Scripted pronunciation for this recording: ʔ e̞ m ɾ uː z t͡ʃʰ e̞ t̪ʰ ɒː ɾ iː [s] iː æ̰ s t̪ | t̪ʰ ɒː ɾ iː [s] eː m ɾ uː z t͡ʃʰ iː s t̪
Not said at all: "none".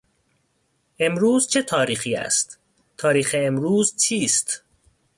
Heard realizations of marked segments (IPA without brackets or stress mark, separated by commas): x, x